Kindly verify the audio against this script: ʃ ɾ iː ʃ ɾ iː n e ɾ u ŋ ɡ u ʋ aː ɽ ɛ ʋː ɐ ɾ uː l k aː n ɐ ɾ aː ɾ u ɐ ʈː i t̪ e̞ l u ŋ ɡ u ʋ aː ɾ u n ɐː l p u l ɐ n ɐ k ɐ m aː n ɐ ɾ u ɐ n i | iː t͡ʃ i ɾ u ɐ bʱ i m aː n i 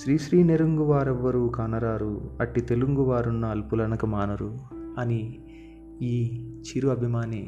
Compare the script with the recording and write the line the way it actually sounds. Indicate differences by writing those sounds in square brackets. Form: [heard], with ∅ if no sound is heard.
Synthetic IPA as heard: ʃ ɾ iː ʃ ɾ iː n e ɾ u ŋ ɡ u ʋ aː [ɾ] ɛ ʋː ɐ ɾ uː [∅] k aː n ɐ ɾ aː ɾ u ɐ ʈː i t̪ e̞ l u ŋ ɡ u ʋ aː ɾ u [nː] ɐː l p u l ɐ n ɐ k ɐ m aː n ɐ ɾ u ɐ n i | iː t͡ʃ i ɾ u ɐ bʱ i m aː n i